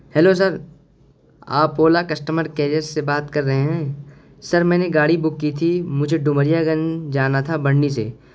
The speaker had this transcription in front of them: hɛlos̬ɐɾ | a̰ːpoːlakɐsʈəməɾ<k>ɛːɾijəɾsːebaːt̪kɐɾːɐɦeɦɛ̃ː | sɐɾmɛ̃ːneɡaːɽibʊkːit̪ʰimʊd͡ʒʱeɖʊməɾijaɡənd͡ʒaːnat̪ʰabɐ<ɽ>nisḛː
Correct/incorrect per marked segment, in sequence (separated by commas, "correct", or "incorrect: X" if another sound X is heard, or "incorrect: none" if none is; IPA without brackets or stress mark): correct, correct